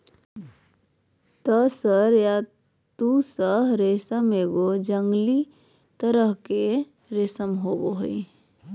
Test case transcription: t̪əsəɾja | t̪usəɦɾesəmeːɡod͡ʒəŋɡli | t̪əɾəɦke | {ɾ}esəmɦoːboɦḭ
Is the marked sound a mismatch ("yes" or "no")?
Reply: no